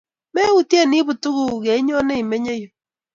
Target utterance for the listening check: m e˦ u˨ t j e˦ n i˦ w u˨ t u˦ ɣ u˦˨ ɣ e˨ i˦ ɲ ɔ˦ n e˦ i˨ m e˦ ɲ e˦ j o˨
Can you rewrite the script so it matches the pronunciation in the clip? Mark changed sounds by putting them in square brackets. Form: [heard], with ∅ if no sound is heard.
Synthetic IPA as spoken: m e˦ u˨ t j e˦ n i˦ [β] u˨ t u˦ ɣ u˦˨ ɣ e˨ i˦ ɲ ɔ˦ n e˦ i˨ m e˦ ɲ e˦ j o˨